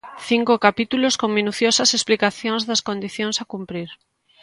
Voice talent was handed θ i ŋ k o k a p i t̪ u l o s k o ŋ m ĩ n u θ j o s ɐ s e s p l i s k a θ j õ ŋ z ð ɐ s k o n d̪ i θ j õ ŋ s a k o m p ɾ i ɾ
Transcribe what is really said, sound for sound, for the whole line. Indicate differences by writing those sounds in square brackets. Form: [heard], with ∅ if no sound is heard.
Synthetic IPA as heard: θ i ŋ k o k a p i t̪ u l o s k o ŋ m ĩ n u θ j o s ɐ s e s p l i [∅] k a θ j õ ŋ z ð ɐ s k o n d̪ i θ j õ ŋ s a k [u] m p ɾ i ɾ